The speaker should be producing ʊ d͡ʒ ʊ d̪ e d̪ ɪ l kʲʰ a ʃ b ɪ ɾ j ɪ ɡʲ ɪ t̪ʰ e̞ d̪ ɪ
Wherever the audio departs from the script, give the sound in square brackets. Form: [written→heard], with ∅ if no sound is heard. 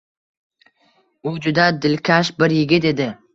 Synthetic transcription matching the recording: ʊ d͡ʒ ʊ d̪ [e→a] d̪ ɪ l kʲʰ a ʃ b ɪ ɾ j ɪ ɡʲ ɪ [t̪ʰ→t̪] e̞ d̪ ɪ